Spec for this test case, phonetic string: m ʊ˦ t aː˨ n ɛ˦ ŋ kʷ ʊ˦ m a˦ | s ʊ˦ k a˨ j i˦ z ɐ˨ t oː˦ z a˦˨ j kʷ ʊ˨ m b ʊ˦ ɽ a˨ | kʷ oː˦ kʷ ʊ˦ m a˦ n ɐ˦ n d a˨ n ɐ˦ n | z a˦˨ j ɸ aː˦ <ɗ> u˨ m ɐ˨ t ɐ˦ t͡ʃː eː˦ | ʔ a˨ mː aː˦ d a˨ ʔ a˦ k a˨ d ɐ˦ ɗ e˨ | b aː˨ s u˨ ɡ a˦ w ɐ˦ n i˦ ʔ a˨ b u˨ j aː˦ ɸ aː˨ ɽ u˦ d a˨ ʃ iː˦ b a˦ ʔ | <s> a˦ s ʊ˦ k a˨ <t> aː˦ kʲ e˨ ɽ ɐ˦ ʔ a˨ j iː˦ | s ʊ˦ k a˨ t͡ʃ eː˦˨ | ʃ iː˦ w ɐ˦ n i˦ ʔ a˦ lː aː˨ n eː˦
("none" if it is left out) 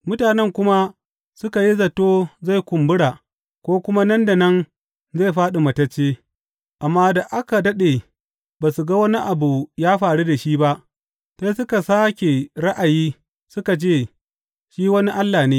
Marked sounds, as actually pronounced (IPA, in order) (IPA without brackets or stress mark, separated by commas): ɗ, s, s